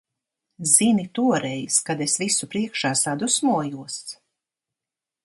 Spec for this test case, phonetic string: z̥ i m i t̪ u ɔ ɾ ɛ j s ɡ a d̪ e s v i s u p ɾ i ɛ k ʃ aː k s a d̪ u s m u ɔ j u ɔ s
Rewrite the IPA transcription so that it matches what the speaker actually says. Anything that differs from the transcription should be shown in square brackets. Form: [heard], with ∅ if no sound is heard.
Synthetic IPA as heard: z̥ i [n] i t̪ u ɔ ɾ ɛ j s [k] a d̪ e s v i s u p ɾ i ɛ k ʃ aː [∅] s a d̪ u s m u ɔ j u ɔ s